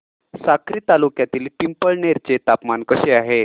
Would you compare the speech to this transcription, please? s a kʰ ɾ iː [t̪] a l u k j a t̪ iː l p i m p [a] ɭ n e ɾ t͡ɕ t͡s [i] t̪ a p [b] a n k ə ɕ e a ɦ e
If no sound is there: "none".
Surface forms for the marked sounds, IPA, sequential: t̪, ə, e, m

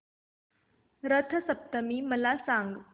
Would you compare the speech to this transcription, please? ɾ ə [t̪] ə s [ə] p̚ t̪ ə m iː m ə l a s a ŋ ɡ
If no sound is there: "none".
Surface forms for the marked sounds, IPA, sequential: t̪ʰ, ə

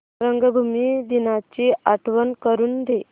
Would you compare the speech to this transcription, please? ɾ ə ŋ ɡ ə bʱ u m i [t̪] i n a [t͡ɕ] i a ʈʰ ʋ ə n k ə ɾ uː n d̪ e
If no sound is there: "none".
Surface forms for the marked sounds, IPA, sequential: d̪, t͡ɕ

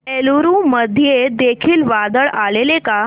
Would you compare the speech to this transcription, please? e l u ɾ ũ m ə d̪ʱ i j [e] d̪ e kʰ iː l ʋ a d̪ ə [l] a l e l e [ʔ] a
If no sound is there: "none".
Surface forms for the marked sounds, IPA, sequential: e, ɭ, k

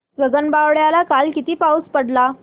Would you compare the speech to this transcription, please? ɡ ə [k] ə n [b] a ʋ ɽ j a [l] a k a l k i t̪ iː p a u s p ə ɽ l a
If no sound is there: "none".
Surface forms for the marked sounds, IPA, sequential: ɡ, b, l

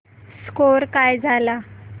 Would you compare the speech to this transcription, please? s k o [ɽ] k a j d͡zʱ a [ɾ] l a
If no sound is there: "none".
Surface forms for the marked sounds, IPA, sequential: ɾ, none

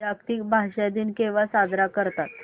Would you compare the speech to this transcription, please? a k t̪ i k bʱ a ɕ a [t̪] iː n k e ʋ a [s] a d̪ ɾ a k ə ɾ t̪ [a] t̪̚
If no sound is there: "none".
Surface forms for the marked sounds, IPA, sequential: d̪, s, a

